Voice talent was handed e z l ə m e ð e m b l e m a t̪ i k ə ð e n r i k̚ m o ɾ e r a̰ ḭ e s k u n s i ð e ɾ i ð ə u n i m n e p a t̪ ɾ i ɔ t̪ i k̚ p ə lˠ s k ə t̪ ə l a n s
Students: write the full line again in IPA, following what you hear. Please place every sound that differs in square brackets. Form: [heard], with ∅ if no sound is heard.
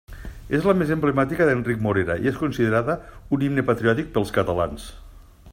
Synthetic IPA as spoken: e z l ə m e [z] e m b l e m a t̪ i k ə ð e n r i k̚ m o ɾ e [ɾ] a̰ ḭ e s k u n s i ð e ɾ [a] ð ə u n i m n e p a t̪ ɾ i ɔ t̪ i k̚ p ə lˠ s k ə t̪ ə l a n s